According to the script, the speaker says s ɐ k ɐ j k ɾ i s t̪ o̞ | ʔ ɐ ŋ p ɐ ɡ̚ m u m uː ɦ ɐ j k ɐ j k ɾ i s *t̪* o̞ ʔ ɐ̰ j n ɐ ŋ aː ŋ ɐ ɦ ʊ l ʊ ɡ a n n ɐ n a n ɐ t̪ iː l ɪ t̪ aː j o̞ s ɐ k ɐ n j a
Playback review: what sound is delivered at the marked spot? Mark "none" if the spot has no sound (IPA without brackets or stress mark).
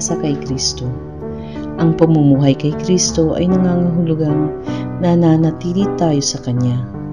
t̪